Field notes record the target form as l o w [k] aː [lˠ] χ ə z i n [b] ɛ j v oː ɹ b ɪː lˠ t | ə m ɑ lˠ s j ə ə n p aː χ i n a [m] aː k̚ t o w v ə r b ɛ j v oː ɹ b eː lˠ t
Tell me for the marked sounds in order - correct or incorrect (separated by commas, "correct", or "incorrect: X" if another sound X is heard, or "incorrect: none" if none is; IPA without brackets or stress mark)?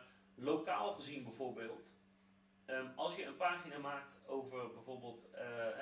correct, correct, correct, correct